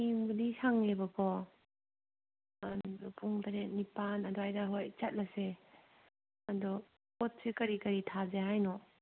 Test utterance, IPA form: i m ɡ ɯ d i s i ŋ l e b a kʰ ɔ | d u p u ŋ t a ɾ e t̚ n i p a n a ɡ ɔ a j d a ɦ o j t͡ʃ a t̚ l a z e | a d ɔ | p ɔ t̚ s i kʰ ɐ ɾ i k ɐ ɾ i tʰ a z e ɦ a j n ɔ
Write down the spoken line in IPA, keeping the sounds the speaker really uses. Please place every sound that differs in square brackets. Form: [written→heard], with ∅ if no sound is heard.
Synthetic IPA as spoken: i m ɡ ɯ d i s [i→a] ŋ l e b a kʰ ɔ | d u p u ŋ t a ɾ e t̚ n i p a n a [ɡ→d] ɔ a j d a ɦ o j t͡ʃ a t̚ l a [z→s] e | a d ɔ | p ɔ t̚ s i [kʰ→k] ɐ ɾ i k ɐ ɾ i tʰ a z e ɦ a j n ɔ